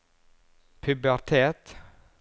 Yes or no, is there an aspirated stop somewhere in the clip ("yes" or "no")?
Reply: yes